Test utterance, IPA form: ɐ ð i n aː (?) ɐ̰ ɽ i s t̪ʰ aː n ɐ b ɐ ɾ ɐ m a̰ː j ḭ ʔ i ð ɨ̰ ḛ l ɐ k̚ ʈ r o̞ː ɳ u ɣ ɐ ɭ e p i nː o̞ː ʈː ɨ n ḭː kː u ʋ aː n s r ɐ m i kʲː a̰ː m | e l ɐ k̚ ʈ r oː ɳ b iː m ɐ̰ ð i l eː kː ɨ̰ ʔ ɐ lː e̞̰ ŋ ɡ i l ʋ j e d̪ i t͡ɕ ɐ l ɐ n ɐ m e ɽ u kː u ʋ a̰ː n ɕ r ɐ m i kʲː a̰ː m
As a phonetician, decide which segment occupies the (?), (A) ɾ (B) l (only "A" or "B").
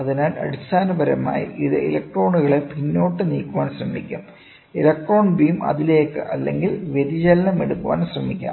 B